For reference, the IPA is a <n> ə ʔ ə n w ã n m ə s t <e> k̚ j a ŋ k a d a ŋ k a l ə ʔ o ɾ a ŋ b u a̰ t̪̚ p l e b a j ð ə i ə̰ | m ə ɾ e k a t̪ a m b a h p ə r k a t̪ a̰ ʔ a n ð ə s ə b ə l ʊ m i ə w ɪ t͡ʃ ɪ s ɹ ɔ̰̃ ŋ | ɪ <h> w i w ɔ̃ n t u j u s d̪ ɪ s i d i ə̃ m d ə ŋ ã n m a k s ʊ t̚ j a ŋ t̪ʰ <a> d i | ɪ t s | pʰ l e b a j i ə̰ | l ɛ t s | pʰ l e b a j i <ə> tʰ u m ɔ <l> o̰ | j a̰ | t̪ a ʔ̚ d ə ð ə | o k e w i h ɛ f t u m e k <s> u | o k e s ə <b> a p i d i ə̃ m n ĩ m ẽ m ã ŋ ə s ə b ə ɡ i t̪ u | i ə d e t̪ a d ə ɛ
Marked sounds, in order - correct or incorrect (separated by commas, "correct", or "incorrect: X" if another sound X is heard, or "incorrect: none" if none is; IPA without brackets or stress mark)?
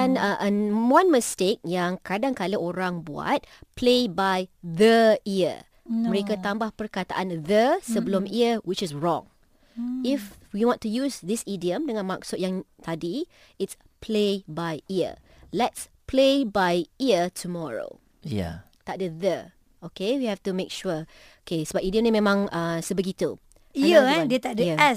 correct, correct, incorrect: f, correct, correct, incorrect: ɹ, incorrect: ʃ, correct